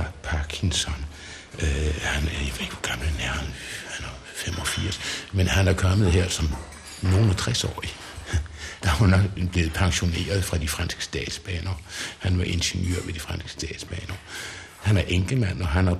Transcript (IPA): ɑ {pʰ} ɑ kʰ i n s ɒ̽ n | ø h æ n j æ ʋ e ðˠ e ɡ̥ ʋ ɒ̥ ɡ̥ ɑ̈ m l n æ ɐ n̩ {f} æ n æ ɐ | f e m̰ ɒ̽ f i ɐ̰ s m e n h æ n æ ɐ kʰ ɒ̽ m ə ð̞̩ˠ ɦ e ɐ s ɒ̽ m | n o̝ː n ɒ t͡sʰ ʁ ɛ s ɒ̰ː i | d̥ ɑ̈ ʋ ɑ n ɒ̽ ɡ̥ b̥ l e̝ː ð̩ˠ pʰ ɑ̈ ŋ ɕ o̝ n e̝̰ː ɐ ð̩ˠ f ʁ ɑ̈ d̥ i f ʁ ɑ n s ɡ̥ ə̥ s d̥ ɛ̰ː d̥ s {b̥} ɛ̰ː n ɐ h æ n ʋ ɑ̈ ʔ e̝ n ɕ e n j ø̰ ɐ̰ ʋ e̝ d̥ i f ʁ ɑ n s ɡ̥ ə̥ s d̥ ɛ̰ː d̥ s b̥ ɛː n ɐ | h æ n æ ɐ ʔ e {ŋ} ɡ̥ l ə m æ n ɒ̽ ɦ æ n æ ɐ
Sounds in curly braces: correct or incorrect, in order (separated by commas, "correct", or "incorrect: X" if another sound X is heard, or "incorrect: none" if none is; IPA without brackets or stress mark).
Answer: correct, incorrect: h, correct, correct